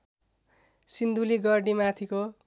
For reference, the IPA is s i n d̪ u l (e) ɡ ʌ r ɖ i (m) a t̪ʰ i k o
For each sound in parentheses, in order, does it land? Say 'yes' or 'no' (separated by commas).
no, yes